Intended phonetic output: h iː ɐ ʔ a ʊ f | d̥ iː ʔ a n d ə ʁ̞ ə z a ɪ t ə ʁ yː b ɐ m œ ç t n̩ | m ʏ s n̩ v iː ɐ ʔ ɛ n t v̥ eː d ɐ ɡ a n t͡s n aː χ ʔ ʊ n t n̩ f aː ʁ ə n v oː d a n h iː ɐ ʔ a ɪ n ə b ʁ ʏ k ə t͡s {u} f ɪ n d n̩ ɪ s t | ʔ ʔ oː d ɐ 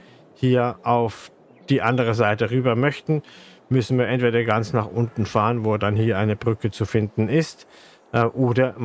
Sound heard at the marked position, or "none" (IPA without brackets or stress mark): u